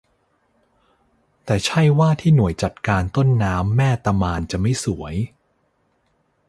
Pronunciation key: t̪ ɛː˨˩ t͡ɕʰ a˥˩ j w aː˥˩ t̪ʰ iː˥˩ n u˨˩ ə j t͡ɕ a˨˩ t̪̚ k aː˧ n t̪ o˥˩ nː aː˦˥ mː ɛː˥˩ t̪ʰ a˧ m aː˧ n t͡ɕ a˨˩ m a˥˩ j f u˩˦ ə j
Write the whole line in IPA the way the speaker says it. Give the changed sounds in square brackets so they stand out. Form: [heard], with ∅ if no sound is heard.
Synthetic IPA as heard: t̪ ɛː˨˩ t͡ɕʰ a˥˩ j w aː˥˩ t̪ʰ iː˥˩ n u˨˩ ə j t͡ɕ a˨˩ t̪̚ k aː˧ n t̪ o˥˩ nː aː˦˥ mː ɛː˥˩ [t̪] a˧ m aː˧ n t͡ɕ a˨˩ m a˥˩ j [s] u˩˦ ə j